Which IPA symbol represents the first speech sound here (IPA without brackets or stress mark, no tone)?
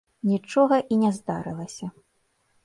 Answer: nʲ